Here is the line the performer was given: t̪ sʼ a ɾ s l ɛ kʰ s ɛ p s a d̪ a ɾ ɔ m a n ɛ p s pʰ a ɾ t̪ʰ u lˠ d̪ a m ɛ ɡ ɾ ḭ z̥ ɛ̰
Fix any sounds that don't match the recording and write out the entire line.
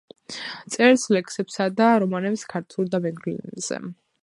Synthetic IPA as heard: t̪ sʼ ɛ ɾ s l ɛ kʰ s ɛ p s a d̪ a ɾ ɔ m a n ɛ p s kʰ a ɾ t̪ʰ u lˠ d̪ a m ɛ ɡ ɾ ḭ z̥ ɛ̰